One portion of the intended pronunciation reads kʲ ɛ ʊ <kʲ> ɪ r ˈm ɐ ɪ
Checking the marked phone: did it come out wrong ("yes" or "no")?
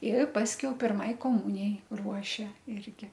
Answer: yes